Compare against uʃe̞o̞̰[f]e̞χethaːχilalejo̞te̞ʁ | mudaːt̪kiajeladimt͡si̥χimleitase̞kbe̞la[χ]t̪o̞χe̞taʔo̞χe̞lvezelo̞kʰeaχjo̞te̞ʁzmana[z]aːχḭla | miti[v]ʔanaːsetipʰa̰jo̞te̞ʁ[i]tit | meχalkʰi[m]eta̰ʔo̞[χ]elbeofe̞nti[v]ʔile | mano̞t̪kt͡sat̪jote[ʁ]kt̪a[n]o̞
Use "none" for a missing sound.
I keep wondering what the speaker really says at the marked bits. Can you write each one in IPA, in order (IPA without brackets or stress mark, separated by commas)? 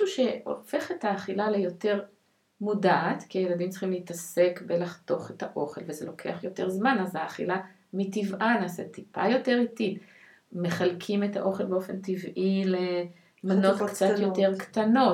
f, χ, z, v, i, m, χ, v, ʁ, n